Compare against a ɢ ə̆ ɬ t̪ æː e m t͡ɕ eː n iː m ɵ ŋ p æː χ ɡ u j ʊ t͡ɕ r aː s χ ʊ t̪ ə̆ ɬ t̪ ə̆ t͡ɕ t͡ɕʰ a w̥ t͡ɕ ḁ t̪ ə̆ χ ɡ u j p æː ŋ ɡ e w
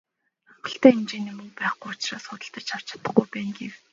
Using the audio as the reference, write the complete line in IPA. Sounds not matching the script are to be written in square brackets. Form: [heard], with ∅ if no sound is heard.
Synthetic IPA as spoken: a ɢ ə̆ ɬ t̪ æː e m t͡ɕ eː n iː m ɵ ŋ p æː χ ɡ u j ʊ t͡ɕ r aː s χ ʊ t̪ ə̆ ɬ t̪ ə̆ t͡ɕ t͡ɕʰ a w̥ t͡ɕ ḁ t̪ ə̆ χ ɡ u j p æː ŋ ɡ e w